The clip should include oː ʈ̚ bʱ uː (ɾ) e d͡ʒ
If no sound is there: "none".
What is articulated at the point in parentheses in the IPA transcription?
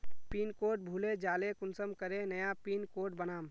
l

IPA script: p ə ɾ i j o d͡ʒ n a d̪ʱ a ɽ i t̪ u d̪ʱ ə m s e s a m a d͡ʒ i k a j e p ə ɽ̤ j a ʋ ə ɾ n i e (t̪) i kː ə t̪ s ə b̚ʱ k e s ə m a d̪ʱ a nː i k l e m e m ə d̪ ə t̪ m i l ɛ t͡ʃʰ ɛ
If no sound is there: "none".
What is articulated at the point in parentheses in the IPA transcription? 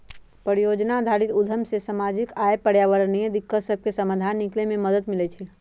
d̪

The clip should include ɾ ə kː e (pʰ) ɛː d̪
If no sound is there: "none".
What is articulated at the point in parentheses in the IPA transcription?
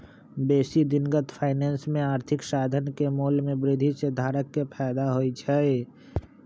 pʰ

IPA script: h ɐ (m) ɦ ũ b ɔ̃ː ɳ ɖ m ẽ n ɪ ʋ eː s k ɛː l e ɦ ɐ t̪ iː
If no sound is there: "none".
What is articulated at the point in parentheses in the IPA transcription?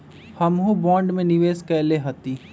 m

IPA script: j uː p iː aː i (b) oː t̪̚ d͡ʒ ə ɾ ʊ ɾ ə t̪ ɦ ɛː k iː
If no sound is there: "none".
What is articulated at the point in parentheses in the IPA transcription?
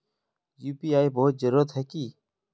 b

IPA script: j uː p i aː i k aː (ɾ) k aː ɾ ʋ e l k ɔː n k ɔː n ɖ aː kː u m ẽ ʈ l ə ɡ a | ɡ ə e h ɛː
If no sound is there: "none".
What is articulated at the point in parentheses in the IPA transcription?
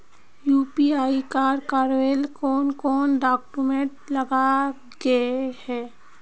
ɾ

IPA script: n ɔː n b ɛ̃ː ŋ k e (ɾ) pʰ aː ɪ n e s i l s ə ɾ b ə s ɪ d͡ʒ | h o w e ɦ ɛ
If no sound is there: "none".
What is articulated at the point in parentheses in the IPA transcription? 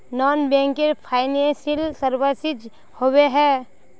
ɾ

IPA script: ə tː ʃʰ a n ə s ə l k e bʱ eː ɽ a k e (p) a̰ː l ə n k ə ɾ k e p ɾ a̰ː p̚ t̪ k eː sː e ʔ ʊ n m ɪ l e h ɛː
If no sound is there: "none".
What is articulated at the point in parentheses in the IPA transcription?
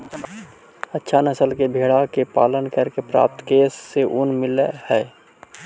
p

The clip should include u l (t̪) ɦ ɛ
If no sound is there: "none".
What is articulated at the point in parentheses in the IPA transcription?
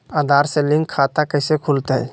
t̪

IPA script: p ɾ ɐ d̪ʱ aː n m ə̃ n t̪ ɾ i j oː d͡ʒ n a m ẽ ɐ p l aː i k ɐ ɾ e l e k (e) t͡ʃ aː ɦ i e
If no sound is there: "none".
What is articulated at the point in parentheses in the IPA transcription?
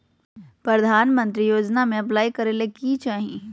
i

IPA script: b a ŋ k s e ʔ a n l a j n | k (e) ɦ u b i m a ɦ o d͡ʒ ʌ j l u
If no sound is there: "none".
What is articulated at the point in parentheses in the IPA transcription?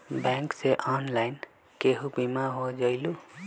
e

